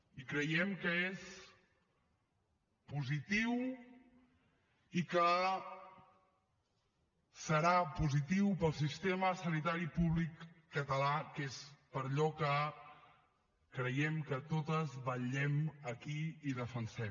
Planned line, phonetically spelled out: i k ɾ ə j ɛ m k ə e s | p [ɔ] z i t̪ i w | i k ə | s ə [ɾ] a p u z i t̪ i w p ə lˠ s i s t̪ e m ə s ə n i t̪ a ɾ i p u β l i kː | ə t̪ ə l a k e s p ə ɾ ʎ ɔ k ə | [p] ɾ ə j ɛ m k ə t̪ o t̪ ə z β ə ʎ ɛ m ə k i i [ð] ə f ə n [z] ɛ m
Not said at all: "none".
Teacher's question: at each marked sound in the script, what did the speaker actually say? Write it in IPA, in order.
u, ɾ, k, ð, s

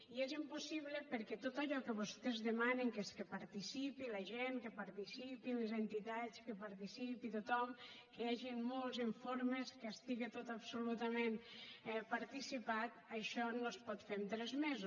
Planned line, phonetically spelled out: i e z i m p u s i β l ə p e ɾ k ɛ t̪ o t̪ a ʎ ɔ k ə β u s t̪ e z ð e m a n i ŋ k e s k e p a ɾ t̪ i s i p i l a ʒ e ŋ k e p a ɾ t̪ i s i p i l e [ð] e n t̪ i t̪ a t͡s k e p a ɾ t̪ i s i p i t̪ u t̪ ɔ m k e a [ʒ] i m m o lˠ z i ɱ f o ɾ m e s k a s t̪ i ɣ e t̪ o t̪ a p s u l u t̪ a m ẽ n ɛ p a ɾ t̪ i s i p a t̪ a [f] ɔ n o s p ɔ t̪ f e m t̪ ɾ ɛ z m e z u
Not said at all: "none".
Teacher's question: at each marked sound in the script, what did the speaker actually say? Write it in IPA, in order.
z, ʒ, ʃ

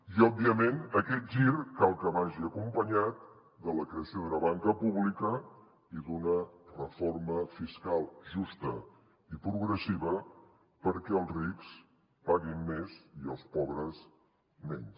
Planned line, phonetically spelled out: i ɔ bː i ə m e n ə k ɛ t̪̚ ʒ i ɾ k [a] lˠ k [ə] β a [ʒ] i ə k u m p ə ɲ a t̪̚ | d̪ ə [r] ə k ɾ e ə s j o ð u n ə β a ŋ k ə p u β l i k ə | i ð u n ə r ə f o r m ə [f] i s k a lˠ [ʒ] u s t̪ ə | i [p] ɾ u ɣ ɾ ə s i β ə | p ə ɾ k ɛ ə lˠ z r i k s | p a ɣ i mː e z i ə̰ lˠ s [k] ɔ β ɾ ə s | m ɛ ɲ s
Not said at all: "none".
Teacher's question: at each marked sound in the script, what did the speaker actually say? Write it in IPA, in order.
a, ə, ʒ, l, f, ʒ, p, p

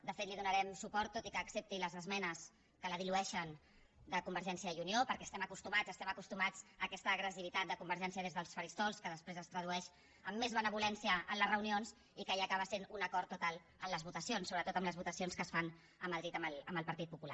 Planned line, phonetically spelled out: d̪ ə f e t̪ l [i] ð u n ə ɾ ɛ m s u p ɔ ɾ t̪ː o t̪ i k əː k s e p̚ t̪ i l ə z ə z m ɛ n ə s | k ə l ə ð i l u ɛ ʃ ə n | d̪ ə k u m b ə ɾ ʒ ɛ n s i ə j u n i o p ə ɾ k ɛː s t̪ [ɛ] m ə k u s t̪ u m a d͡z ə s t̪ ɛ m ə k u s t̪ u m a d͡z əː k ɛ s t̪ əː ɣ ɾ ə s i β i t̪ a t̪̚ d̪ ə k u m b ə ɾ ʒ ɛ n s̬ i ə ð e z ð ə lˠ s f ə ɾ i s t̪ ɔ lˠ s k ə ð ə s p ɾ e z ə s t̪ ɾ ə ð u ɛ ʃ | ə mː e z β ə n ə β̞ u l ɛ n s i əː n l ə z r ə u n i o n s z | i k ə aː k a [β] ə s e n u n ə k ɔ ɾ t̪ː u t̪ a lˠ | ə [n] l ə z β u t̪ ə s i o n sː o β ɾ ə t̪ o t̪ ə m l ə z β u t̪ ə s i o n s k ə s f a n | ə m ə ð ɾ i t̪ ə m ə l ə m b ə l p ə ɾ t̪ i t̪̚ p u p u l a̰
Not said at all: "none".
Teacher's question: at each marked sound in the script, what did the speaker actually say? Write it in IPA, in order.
i, ɛ, β, m

